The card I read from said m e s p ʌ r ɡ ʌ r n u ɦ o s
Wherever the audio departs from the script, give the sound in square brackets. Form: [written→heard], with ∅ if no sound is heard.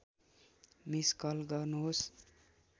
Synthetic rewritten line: m [e→i] s [p→k] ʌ [r→l] ɡ ʌ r n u ɦ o s

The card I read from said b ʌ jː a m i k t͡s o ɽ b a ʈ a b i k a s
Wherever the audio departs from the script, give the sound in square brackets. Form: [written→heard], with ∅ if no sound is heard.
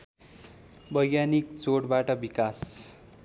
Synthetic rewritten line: b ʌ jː a [m→n] i k t͡s o ɽ b a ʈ [a→ʌ] b i k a s

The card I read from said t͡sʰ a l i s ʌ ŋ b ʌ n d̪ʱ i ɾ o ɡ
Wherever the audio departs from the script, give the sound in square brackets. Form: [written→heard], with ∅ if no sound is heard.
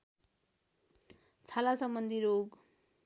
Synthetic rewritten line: t͡sʰ a l [i→a] s ʌ [ŋ→m] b ʌ n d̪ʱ i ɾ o ɡ

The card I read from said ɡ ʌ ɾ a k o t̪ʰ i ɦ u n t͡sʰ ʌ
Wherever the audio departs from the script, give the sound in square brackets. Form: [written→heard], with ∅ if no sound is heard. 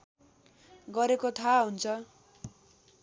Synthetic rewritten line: ɡ ʌ ɾ [a→e] k o t̪ʰ [i→a] ɦ u n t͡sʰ ʌ

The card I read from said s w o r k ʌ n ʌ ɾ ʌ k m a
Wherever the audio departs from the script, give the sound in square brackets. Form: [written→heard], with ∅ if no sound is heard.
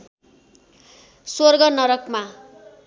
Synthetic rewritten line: s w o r [k→ɡ] ʌ n ʌ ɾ ʌ k m a

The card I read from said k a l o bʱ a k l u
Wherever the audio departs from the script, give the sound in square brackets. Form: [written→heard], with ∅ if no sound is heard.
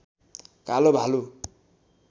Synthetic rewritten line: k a l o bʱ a [k→∅] l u

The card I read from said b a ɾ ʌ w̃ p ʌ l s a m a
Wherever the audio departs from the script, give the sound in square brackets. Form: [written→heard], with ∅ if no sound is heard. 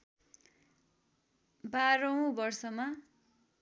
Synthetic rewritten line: b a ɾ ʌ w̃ [p→b] ʌ [l→r] s [a→ʌ] m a

